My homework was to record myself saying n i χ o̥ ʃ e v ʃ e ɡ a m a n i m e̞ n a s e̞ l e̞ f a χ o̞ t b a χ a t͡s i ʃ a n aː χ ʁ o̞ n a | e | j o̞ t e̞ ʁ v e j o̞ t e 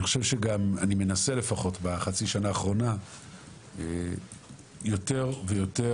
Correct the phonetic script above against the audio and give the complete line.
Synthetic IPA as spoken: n i χ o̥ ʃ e v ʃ e ɡ a m a n i m e̞ n a s e̞ l e̞ f a χ o̞ t b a χ a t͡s i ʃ a n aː χ ʁ o̞ n a | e | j o̞ t e̞ ʁ v e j o̞ t e